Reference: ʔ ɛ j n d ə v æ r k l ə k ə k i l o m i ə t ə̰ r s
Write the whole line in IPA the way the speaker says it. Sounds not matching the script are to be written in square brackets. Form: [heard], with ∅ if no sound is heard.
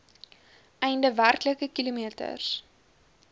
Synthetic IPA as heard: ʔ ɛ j n d ə v æ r k l ə k ə k i l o m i ə t ə̰ r s